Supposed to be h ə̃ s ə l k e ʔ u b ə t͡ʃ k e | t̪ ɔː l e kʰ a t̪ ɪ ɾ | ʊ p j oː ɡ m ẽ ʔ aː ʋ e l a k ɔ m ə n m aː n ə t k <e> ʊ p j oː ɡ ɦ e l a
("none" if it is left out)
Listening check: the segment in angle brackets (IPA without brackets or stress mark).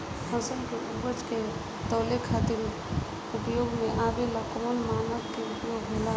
e